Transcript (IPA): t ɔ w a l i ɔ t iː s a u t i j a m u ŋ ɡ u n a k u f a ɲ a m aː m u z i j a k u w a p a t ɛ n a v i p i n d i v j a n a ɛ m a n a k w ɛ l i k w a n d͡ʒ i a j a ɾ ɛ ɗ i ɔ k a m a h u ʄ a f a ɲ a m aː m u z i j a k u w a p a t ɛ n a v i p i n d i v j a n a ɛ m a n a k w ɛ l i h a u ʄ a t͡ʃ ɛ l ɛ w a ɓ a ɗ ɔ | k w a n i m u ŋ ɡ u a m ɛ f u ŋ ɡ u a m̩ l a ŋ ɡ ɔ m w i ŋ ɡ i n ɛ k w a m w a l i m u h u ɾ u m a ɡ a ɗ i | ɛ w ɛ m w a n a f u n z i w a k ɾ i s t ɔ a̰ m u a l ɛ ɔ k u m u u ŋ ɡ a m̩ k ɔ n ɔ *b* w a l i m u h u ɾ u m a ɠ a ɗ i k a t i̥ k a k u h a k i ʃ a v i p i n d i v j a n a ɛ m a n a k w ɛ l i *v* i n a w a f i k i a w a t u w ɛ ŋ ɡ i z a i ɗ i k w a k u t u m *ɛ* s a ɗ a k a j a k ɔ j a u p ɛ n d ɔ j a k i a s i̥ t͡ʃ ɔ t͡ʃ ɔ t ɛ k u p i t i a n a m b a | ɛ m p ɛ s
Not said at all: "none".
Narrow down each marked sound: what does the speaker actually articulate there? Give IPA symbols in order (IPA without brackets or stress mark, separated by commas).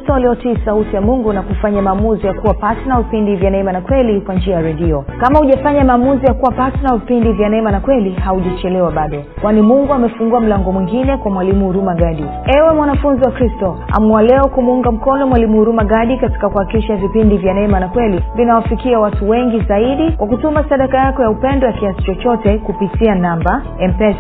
m, v, a